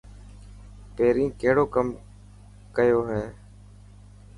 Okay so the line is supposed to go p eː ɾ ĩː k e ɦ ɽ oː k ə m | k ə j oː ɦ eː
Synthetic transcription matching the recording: p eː ɾ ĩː k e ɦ ɽ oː k ə m | k ə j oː ɦ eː